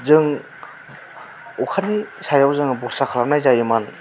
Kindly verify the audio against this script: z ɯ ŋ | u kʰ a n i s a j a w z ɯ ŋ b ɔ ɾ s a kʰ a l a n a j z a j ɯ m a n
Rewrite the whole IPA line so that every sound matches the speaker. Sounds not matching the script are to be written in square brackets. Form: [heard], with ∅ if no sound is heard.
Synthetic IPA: z ɯ ŋ | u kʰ a n i s a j a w z ɯ ŋ b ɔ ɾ s a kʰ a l a n a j z a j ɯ m a n